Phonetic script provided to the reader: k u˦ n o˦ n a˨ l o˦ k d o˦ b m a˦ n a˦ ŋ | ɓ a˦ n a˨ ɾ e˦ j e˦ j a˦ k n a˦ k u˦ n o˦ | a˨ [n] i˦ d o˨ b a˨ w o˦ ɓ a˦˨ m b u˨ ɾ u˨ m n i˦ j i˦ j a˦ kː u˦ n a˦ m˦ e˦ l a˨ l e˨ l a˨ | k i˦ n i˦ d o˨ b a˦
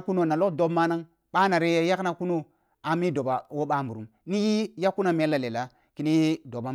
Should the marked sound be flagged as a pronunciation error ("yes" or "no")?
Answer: yes